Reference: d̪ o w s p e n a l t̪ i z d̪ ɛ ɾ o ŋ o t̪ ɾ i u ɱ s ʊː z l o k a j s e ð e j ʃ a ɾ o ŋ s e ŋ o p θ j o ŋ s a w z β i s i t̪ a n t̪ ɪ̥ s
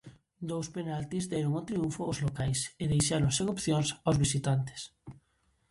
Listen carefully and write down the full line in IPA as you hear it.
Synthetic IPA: d̪ o w s p e n a l t̪ i z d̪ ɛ ɾ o ŋ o t̪ ɾ i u ɱ f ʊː z l o k a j s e ð e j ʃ a ɾ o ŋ s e ŋ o p θ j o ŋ s a w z β i s i t̪ a n t̪ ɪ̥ s